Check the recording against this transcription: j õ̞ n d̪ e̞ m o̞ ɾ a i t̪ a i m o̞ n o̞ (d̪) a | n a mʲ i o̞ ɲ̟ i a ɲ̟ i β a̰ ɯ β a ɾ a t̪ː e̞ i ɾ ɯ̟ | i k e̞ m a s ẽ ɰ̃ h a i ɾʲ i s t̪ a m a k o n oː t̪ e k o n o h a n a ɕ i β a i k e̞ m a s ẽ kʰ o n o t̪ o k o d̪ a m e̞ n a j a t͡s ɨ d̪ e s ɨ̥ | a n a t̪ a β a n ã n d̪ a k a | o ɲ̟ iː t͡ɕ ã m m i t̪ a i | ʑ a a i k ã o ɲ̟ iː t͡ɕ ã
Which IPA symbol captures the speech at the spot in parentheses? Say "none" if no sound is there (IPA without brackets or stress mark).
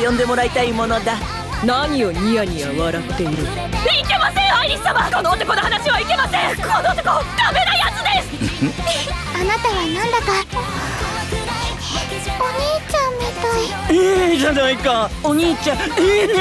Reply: d̪